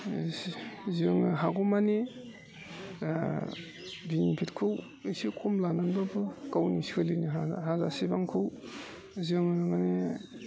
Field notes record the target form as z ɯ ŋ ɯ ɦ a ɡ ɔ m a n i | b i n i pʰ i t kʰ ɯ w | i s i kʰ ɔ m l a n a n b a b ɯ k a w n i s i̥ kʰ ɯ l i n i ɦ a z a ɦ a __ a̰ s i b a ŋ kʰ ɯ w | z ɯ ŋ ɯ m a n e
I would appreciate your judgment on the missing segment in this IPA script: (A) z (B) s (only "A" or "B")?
A